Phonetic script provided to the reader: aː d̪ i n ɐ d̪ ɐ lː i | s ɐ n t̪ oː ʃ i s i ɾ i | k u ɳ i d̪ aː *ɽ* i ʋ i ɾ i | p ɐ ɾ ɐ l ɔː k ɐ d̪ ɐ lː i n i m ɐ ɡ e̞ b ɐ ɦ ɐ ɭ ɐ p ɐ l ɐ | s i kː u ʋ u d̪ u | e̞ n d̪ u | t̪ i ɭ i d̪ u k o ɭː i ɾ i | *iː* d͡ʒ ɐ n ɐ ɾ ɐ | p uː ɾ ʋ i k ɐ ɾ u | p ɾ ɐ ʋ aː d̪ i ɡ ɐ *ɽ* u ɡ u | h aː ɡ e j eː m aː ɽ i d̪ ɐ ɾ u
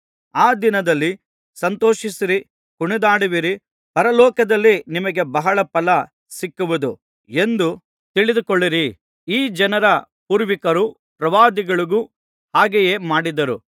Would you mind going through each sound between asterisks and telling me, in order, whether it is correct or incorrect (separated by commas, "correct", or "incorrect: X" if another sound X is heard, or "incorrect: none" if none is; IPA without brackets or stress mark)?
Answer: correct, correct, incorrect: ɭ